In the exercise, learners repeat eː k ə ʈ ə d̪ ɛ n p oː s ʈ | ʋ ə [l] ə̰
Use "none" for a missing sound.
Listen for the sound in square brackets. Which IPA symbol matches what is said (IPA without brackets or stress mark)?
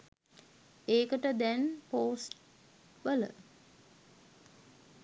l